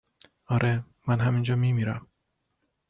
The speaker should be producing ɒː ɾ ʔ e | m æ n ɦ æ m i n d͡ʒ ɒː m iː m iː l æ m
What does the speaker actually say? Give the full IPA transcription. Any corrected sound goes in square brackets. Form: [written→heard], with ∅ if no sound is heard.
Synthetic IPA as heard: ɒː ɾ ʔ e | m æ n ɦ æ m i n d͡ʒ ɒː m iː m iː [l→ɾ] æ m